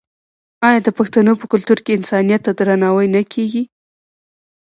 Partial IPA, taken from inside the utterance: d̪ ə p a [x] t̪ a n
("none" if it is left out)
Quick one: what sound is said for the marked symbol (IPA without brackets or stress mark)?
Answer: x